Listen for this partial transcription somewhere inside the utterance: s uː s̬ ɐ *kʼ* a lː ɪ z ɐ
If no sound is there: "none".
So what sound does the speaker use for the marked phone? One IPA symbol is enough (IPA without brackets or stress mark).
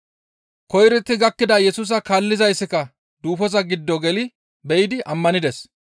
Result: k